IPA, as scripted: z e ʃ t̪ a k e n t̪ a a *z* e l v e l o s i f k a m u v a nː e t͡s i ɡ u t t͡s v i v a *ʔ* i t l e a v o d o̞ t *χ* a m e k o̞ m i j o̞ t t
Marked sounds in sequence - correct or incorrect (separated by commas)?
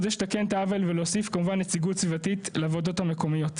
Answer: incorrect, incorrect, incorrect